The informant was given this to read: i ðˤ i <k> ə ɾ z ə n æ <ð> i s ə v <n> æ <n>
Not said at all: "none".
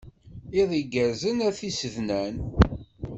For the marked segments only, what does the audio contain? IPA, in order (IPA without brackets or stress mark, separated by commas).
ɡ, θ, n, n